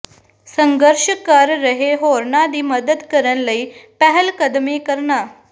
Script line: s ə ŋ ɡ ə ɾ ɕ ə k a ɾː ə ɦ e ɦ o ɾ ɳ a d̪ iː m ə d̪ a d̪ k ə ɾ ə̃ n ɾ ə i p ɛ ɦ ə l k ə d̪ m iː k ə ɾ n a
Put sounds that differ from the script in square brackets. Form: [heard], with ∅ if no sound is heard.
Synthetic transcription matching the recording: s ə ŋ ɡ ə ɾ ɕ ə k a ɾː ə ɦ e ɦ o ɾ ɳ a d̪ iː m ə d̪ [ə] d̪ k ə ɾ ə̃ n [l] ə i p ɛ ɦ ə l k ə d̪ m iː k ə ɾ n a